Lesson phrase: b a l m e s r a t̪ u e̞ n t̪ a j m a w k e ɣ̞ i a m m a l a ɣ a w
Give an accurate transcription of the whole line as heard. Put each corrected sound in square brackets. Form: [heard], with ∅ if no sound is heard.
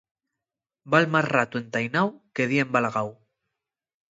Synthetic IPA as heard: b a l m [a] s r a t̪ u e̞ n t̪ a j [n] a w k e [ð̞] i [e] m [b] a l a ɣ a w

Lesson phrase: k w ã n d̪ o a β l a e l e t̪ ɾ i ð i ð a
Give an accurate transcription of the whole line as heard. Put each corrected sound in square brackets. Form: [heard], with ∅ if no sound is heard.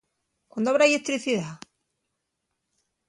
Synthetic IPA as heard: k w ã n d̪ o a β [ɾ] a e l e t̪ ɾ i [θ] i ð a

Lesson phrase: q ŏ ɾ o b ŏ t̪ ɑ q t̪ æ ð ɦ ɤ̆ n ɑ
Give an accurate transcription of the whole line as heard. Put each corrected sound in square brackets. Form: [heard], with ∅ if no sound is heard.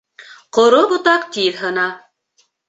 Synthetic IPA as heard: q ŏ ɾ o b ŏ t̪ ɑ q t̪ [i] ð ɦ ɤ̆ n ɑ

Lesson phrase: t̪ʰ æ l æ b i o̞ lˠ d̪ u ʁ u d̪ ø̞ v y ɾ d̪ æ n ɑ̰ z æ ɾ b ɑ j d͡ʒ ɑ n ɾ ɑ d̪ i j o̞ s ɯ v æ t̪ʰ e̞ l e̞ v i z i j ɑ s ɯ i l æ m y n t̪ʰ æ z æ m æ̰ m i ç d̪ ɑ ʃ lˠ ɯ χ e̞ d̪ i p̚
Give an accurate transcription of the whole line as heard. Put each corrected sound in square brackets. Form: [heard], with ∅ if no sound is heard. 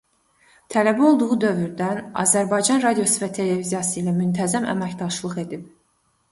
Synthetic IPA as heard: t̪ʰ æ l æ b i o̞ lˠ d̪ u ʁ u d̪ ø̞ v y ɾ d̪ æ n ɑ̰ z æ ɾ b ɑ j d͡ʒ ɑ n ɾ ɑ d̪ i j o̞ s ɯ v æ t̪ʰ e̞ l e̞ v i z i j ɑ s ɯ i l æ m y n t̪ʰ æ z æ m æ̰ m [æ] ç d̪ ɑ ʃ lˠ ɯ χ e̞ d̪ i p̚

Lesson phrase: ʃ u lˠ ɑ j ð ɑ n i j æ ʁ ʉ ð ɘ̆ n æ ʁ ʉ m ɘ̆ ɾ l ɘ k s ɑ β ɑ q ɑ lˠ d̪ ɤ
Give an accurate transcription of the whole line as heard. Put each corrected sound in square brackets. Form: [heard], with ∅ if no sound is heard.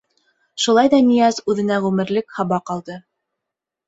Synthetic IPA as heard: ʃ u lˠ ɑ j ð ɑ n i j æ [z] ʉ ð ɘ̆ n æ ʁ ʉ m ɘ̆ ɾ l ɘ k [h] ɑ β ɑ q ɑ lˠ d̪ ɤ

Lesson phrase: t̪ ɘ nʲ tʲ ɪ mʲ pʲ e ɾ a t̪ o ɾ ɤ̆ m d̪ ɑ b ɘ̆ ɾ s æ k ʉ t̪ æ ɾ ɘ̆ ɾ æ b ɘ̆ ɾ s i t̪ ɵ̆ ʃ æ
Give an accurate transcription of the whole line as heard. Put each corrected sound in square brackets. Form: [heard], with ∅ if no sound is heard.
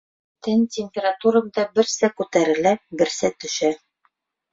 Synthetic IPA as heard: t̪ ɘ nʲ tʲ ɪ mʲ pʲ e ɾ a t̪ [u] ɾ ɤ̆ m d̪ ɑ b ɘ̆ ɾ s æ k ʉ t̪ æ ɾ ɘ̆ [l] æ b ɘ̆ ɾ s [æ] t̪ ɵ̆ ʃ æ

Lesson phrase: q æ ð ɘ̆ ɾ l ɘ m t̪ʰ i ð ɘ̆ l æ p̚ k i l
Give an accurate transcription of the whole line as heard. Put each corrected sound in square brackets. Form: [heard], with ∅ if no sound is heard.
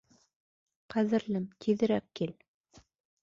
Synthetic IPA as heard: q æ ð ɘ̆ ɾ l ɘ m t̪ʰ i ð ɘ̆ [ɾ] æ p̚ k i l

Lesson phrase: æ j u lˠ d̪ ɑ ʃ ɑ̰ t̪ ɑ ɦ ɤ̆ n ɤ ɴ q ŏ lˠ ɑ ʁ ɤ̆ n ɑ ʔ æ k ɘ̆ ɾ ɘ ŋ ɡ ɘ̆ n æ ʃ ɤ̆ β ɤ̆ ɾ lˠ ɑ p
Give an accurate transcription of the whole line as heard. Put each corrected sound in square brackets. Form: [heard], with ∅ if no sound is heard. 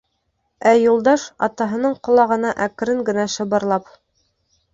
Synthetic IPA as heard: æ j u lˠ d̪ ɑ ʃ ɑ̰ t̪ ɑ ɦ ɤ̆ n ɤ ɴ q ŏ lˠ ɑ ʁ ɤ̆ n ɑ ʔ æ k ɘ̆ ɾ ɘ ŋ ɡ ɘ̆ n æ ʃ ɤ̆ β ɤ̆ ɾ lˠ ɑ p

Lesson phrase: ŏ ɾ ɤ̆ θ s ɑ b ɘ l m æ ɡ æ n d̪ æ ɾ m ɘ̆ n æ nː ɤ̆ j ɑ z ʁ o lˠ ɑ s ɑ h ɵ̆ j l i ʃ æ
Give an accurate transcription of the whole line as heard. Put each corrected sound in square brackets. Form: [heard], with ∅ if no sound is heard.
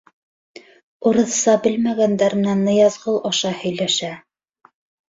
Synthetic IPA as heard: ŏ ɾ ɤ̆ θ s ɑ b ɘ l m æ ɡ æ n d̪ æ ɾ m ɘ̆ n æ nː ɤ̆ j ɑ z ʁ [ɤ] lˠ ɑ [ʃ] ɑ h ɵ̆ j l [æ] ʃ æ

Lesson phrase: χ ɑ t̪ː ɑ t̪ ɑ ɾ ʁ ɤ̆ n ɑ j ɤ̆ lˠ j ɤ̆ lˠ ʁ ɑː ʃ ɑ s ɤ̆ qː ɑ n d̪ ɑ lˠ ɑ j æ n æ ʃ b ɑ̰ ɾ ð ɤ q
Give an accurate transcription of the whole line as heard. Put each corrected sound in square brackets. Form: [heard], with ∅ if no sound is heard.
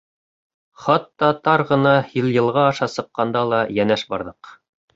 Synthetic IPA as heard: χ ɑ t̪ː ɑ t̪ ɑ ɾ ʁ ɤ̆ n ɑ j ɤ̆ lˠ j ɤ̆ lˠ ʁ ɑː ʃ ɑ s ɤ̆ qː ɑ n d̪ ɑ lˠ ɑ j æ n æ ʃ b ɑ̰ ɾ ð ɤ q

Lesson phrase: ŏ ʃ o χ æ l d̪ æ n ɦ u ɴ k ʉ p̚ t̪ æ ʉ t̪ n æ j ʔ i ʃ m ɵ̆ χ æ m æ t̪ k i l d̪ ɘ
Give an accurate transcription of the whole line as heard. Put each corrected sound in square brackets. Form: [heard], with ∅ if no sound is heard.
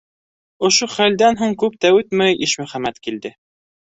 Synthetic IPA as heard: ŏ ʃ o χ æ l d̪ æ n ɦ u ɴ k ʉ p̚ t̪ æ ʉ t̪ [m] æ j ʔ i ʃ m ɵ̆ χ æ m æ t̪ k i l d̪ ɘ

